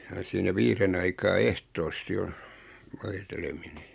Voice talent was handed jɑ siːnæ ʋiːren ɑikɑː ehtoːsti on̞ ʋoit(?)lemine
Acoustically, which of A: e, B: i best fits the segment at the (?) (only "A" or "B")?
A